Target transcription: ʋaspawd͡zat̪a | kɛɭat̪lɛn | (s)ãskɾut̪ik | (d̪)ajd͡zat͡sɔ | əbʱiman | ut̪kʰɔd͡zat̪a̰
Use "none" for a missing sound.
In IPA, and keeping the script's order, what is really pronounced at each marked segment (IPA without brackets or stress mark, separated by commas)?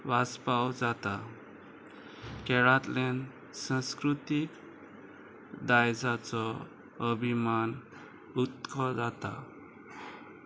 s, d̪